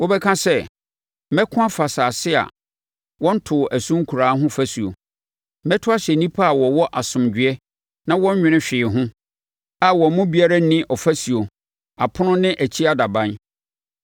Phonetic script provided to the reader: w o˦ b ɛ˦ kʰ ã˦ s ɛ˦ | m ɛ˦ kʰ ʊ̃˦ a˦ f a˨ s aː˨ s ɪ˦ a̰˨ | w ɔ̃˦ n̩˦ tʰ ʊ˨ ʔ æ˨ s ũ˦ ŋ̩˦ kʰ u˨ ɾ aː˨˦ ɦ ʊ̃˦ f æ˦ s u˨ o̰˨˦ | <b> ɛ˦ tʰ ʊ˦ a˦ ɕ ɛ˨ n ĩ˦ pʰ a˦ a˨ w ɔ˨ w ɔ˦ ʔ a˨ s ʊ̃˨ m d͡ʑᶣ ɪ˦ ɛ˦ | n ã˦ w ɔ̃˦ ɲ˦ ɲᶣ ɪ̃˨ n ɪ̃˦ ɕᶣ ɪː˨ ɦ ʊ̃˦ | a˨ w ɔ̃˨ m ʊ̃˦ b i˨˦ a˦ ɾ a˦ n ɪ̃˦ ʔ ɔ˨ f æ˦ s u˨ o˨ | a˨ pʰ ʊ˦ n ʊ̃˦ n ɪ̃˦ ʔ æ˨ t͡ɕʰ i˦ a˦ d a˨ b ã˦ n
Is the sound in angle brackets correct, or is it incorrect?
incorrect